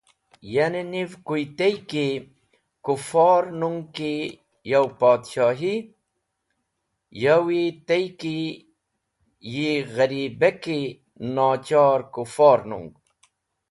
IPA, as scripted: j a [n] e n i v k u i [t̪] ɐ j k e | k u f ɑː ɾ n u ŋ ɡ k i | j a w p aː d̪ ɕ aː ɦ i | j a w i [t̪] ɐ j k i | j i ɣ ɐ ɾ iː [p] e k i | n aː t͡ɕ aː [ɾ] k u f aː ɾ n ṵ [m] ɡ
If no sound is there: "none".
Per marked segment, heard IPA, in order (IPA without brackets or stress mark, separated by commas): n, t̪, t̪, b, ɾ, ŋ